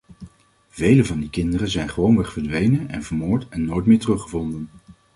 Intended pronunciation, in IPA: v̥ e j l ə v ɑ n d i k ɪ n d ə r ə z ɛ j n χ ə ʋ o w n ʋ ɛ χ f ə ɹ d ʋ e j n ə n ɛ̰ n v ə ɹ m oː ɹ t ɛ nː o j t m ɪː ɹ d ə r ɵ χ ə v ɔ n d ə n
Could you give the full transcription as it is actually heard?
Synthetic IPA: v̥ e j l ə v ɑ n d i k ɪ n d ə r ə z ɛ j n χ ə ʋ o w n ʋ ɛ χ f ə ɹ d ʋ e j n ə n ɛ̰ n v ə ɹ m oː ɹ t ɛ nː o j t m ɪː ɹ t ə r ɵ χ ə v ɔ n d ə n